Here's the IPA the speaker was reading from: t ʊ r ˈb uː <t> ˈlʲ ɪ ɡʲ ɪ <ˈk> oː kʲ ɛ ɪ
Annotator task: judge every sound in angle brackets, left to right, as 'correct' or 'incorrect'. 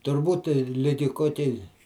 correct, correct

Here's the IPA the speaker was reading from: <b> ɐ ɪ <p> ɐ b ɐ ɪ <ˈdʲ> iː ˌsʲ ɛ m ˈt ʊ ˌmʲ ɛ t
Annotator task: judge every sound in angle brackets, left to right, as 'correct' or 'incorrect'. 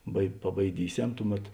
correct, correct, correct

